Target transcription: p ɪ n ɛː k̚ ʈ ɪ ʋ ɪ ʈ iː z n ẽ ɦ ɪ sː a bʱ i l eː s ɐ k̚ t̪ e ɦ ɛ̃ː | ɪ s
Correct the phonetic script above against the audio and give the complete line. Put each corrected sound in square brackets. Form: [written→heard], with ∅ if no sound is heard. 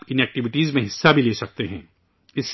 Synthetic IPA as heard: p ɪ n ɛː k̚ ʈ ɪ ʋ ɪ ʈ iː z [n→m] ẽ ɦ ɪ sː a bʱ i l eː s ɐ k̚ t̪ e ɦ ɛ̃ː | ɪ s